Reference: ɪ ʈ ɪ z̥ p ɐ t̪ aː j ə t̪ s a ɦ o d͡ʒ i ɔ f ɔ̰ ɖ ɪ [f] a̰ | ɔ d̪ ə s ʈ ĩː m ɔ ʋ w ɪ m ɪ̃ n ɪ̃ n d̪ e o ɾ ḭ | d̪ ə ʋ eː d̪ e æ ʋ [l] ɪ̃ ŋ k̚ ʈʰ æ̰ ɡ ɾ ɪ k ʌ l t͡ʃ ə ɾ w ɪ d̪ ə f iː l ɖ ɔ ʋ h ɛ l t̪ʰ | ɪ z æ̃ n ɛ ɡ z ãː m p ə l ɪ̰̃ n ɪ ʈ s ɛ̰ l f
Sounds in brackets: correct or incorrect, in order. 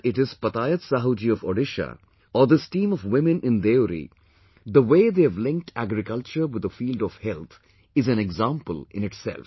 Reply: incorrect: ʃ, correct

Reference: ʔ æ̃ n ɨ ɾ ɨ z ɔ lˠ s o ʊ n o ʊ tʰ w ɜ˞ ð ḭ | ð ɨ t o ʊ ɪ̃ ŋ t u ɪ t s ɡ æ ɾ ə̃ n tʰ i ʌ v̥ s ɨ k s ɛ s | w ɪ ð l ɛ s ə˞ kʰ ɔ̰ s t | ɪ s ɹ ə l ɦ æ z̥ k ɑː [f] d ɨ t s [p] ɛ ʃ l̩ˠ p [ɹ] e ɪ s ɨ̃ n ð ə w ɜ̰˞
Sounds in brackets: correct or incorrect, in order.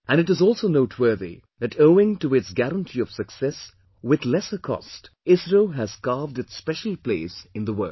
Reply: incorrect: v, correct, incorrect: l

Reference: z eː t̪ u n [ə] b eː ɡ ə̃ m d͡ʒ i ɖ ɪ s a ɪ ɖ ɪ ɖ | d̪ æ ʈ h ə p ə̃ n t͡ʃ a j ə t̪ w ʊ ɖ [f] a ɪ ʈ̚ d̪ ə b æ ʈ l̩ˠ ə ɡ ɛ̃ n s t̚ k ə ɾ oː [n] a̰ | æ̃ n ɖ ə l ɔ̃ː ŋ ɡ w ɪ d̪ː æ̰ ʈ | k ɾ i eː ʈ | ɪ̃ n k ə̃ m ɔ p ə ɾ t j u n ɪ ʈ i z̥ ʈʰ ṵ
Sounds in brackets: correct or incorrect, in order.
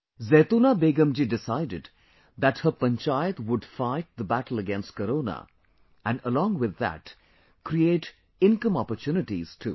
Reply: incorrect: a, correct, correct

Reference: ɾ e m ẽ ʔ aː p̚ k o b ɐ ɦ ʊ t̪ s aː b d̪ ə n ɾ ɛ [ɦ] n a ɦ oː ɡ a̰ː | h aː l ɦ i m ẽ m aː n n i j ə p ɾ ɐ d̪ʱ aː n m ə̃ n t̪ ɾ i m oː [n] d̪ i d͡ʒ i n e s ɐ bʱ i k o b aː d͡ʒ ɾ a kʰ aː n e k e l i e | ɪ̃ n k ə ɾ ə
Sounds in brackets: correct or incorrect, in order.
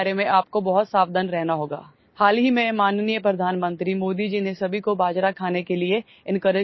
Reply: correct, incorrect: none

